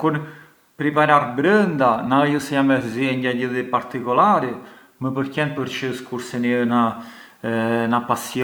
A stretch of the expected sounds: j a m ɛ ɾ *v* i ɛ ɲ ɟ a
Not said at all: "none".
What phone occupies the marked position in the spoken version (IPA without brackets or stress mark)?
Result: z